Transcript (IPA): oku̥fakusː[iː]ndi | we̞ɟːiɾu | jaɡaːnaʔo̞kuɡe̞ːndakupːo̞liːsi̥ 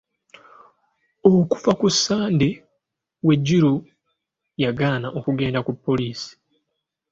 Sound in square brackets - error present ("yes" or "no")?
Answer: yes